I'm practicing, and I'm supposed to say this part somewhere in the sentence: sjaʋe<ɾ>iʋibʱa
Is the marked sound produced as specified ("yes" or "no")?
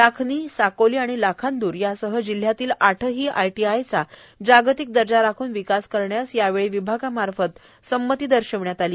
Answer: no